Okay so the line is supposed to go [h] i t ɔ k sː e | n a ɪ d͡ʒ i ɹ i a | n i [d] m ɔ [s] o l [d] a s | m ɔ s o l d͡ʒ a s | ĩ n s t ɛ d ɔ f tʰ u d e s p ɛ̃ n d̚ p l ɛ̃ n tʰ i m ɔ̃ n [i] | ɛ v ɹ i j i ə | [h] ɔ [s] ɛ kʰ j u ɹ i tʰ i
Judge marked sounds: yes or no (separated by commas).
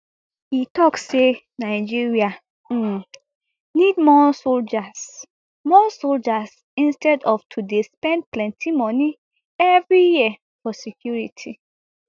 yes, yes, yes, no, yes, no, yes